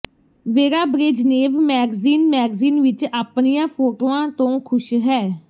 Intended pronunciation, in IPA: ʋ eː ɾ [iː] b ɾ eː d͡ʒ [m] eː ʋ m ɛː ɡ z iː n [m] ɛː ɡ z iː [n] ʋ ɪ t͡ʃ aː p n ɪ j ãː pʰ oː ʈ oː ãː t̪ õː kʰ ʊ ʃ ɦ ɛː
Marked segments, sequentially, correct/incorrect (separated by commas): incorrect, incorrect, correct, correct